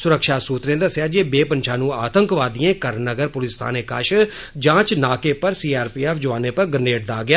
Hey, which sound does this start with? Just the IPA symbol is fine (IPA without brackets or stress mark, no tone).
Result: s